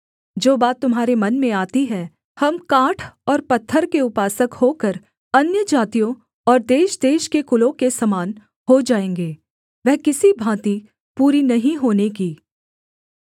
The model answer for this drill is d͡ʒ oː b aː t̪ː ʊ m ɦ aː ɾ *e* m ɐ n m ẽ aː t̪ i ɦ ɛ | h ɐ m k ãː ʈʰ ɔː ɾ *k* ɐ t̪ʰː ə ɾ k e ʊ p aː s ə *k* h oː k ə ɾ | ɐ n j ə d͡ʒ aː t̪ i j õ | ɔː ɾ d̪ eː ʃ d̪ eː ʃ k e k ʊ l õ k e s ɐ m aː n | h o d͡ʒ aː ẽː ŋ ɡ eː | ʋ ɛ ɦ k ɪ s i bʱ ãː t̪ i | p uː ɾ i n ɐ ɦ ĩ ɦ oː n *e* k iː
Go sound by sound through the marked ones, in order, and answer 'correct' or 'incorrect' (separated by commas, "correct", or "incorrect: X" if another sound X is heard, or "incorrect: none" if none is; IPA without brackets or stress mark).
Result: correct, incorrect: p, correct, correct